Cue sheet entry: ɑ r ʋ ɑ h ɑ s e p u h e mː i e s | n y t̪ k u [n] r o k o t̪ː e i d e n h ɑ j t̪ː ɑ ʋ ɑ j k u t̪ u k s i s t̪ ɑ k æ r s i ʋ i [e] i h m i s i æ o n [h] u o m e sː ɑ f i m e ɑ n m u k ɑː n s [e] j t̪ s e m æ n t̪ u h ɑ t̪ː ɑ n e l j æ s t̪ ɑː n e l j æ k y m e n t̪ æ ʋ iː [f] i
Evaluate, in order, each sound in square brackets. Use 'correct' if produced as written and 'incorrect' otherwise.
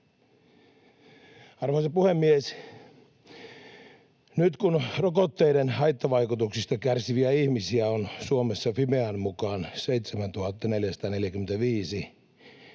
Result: correct, incorrect: æ, incorrect: s, correct, incorrect: s

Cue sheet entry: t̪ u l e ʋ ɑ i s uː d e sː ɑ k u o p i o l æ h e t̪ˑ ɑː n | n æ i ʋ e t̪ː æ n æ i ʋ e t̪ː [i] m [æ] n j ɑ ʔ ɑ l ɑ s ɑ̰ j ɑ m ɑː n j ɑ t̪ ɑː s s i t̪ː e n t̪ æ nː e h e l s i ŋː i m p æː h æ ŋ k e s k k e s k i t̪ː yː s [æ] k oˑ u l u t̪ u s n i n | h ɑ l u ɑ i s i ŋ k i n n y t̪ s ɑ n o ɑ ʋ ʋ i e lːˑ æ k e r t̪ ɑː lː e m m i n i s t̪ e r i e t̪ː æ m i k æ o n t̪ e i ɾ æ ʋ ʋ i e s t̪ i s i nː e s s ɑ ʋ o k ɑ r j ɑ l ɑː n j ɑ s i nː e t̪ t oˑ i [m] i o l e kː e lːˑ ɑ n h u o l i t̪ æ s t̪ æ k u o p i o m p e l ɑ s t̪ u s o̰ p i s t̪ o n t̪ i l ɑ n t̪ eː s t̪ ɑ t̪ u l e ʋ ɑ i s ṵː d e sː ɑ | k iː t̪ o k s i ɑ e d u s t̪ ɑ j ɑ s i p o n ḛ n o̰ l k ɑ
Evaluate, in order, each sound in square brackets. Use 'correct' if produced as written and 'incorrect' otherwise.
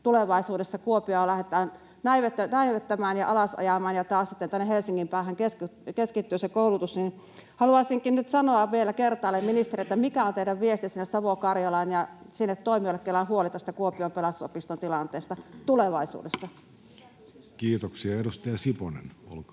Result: incorrect: æ, incorrect: æː, incorrect: e, correct

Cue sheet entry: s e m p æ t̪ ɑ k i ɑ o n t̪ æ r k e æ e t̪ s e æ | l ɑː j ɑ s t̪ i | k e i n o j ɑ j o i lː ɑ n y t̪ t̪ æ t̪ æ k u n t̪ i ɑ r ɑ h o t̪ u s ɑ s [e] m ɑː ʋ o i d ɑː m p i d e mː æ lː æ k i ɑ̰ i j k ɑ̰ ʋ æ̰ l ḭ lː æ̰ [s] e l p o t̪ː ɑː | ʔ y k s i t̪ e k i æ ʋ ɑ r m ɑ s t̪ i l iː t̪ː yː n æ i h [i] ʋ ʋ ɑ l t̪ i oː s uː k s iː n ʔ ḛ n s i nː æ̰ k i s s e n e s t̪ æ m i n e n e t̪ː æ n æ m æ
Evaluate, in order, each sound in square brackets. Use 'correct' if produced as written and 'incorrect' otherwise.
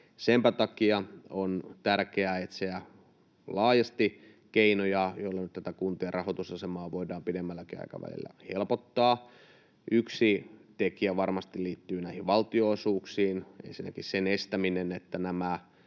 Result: correct, incorrect: h, correct

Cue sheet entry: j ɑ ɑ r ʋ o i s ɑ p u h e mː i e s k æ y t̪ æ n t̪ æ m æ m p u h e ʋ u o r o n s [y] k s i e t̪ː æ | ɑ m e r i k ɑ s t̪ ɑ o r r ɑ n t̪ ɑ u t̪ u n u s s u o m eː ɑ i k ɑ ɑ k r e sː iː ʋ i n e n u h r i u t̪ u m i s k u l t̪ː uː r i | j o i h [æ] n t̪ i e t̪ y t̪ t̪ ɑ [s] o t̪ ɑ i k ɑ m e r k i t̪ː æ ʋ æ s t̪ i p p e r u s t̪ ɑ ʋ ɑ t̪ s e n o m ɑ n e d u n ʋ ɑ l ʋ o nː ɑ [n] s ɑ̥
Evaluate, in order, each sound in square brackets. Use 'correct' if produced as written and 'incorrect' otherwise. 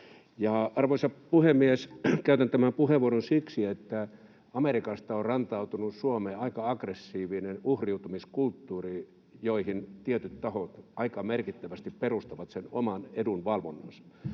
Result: incorrect: i, incorrect: i, incorrect: h, correct

